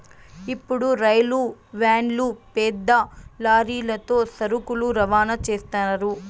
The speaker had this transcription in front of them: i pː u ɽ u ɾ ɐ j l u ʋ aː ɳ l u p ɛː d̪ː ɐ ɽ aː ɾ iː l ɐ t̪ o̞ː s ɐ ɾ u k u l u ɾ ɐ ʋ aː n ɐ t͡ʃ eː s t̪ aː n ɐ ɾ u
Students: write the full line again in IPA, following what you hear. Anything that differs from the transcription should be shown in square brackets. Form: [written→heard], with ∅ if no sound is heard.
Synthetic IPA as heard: i pː u ɽ u ɾ ɐ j l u ʋ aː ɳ l u p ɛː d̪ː ɐ [ɽ→l] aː ɾ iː l ɐ t̪ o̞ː s ɐ ɾ u k u l u ɾ ɐ ʋ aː n ɐ t͡ʃ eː s t̪ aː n ɐ ɾ u